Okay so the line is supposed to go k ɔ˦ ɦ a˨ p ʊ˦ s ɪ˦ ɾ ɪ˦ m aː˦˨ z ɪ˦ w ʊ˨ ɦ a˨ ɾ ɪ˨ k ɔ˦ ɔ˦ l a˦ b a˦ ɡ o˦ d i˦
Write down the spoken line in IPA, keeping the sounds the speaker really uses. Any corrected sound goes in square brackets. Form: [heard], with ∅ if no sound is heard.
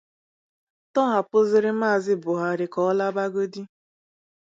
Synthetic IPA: [t] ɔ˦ ɦ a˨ p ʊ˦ [z] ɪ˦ ɾ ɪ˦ m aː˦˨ z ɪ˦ [b] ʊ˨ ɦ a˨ ɾ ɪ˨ k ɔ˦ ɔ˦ l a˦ b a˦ ɡ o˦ d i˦